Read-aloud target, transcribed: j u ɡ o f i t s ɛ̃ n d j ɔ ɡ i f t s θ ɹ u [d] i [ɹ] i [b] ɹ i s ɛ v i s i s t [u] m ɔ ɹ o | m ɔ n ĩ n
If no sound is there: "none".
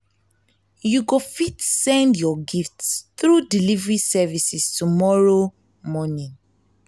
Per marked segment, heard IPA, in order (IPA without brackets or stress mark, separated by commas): d, l, v, u